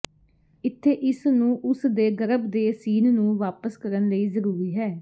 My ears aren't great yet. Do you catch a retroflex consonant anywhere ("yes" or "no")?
no